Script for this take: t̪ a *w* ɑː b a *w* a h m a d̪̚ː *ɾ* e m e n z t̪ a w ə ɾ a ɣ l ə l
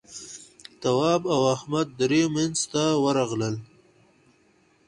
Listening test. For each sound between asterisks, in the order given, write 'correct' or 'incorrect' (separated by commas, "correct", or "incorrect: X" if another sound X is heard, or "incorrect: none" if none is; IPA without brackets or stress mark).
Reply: correct, correct, correct